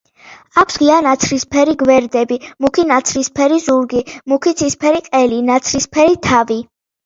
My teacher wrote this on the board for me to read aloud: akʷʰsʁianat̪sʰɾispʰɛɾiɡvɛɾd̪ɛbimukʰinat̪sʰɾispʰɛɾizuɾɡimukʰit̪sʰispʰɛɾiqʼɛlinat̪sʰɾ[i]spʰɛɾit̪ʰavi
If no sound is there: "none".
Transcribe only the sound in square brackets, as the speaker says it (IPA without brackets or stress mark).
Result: i